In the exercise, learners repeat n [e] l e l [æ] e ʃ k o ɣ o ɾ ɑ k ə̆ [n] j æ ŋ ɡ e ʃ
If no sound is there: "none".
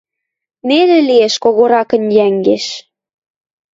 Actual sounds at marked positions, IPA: e, i, n

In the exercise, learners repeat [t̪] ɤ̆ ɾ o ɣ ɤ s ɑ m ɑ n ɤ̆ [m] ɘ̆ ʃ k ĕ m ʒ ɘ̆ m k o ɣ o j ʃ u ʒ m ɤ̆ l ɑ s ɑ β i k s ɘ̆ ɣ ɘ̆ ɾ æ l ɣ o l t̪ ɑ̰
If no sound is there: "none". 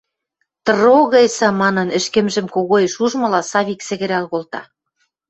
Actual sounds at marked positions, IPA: t̪, n

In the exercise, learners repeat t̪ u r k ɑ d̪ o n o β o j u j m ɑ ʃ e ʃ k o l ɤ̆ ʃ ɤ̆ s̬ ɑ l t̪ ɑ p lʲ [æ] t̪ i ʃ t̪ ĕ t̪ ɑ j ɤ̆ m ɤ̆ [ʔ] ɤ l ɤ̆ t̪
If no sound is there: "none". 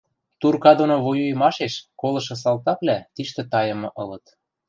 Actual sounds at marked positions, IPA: æ, ʔ

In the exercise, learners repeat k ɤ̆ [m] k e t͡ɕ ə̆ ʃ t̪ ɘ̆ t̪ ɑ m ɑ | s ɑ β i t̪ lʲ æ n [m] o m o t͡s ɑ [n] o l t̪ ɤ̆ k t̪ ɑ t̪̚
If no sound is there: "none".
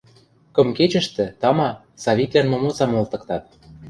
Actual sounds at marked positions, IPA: m, m, m

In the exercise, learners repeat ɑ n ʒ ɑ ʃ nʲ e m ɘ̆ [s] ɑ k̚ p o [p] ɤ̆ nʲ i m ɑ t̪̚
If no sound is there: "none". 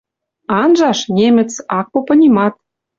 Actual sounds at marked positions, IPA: t͡s, p

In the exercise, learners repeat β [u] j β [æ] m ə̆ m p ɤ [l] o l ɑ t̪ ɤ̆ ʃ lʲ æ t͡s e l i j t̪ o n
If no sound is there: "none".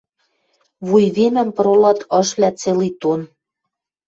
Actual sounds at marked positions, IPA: u, e, ɾ

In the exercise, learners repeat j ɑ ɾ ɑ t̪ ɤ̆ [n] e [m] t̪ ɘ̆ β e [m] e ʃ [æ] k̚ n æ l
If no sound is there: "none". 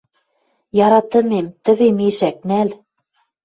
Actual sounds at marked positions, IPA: m, m, m, æ

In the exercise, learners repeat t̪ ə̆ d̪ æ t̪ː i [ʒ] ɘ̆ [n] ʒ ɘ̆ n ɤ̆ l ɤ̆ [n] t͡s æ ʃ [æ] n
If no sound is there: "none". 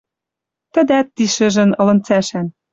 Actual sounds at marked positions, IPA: ʃ, none, n, æ

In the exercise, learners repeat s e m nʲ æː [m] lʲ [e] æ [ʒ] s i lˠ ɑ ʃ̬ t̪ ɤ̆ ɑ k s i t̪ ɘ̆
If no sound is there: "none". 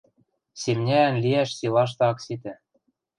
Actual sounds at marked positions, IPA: n, i, ʃ

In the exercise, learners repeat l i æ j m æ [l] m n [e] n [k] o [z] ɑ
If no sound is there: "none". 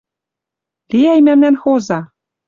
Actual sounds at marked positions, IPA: none, æ, x, z

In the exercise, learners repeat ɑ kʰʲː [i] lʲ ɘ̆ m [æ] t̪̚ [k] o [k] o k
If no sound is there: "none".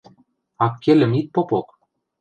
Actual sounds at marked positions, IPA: e, i, p, p

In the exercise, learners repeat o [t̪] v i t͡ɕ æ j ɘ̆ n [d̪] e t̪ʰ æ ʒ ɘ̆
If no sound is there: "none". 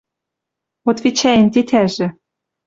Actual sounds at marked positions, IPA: t̪, t̪

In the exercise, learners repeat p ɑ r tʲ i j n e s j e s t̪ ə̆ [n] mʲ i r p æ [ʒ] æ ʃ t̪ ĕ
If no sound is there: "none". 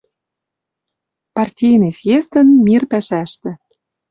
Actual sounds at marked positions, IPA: n, ʃ

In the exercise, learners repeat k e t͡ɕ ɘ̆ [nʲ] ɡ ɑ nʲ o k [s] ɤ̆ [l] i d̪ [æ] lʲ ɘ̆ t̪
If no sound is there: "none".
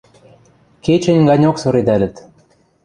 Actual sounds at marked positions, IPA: nʲ, s, ɾ, æ

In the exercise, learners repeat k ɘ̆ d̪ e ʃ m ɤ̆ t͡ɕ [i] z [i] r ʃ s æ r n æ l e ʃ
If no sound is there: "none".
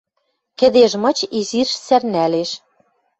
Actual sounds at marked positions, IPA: i, i

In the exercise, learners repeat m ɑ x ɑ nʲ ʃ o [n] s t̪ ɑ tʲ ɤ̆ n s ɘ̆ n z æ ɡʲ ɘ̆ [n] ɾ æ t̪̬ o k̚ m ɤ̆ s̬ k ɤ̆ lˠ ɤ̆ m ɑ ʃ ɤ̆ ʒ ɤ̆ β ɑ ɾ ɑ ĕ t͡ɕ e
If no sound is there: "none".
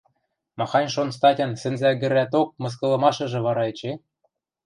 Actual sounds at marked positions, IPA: n, none

